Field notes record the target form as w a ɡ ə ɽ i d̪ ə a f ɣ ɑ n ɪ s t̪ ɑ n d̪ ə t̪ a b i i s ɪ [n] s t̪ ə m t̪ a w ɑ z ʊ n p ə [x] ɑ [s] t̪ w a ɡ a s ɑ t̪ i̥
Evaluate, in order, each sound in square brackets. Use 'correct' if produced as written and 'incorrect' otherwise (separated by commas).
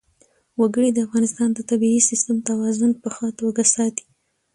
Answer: incorrect, correct, incorrect